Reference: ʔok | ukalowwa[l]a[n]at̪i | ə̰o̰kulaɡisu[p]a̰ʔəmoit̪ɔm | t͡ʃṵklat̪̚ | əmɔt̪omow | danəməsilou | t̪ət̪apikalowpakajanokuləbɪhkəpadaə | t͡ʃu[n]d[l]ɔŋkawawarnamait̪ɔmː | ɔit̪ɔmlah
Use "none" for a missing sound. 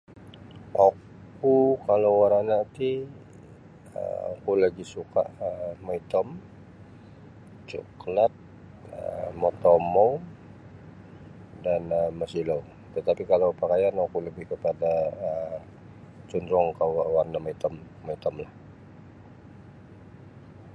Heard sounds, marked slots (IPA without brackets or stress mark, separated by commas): ɾ, n, k, n, ɾ